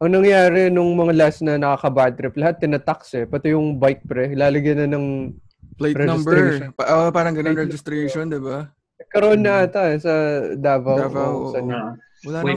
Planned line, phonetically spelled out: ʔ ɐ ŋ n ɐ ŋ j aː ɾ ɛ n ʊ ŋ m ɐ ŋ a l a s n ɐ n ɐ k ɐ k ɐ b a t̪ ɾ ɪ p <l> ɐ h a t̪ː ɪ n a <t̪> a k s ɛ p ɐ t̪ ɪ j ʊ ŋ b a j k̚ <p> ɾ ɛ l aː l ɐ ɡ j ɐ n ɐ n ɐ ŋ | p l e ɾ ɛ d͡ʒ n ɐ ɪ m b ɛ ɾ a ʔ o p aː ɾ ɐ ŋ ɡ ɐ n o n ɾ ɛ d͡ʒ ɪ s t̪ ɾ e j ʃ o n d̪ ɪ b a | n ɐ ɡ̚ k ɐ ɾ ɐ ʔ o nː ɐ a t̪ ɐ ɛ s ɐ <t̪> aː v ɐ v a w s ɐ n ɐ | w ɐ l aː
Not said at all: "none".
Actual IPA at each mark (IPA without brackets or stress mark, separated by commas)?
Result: l, t̪, p, d̪